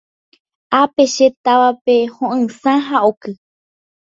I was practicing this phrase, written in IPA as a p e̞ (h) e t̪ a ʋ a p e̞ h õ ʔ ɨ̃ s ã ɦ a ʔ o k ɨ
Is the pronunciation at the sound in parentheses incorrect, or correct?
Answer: incorrect: ʃ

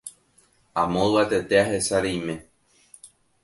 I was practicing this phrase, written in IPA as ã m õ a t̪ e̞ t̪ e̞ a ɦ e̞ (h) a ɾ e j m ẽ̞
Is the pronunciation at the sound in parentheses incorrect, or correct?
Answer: incorrect: s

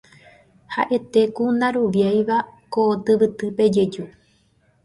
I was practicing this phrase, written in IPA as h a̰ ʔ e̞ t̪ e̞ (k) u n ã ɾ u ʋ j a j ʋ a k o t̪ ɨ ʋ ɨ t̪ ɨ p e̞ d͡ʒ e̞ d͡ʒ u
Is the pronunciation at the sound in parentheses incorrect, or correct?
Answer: correct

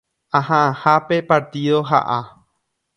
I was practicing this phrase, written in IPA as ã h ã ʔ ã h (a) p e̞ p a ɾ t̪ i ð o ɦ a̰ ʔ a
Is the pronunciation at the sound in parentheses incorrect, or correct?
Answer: correct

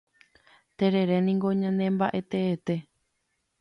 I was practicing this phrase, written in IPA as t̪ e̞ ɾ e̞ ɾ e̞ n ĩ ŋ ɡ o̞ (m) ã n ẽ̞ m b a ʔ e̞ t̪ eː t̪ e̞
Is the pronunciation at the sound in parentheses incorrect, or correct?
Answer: incorrect: ɲ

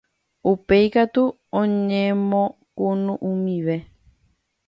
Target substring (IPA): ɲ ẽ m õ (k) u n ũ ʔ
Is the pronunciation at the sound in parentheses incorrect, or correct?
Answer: correct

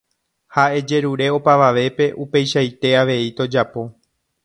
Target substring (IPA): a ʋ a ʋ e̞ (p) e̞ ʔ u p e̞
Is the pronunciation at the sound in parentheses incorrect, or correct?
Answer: correct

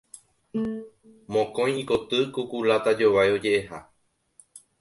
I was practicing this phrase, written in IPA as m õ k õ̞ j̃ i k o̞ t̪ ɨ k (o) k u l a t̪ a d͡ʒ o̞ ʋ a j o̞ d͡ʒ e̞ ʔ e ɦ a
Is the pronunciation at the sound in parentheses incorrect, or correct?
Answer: incorrect: u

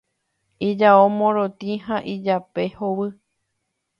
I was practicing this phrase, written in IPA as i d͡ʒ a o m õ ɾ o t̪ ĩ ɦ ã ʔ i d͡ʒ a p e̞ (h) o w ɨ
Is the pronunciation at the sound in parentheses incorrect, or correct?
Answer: correct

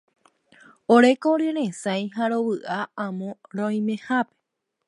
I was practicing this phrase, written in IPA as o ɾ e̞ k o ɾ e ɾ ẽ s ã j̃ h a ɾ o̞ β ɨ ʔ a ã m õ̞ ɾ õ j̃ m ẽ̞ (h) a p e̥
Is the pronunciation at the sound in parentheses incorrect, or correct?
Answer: correct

